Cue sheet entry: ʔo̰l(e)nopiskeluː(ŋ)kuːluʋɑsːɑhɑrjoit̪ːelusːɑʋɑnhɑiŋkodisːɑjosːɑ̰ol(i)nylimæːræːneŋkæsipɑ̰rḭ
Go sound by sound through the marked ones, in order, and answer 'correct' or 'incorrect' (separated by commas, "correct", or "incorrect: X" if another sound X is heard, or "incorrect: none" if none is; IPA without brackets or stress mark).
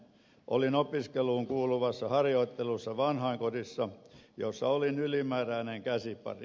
incorrect: i, correct, correct